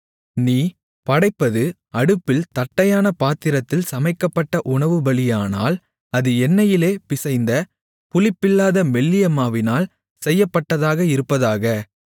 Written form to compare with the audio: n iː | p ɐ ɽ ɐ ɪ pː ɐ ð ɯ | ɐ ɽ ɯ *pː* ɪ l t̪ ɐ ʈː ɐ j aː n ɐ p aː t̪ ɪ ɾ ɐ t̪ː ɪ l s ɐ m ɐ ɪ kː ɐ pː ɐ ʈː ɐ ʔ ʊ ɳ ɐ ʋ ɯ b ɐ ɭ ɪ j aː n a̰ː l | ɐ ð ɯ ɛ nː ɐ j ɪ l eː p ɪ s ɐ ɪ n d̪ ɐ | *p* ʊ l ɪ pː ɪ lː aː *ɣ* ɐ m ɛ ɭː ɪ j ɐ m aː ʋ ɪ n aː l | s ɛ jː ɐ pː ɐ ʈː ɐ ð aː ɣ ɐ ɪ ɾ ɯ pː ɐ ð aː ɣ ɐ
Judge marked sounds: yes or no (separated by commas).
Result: yes, yes, no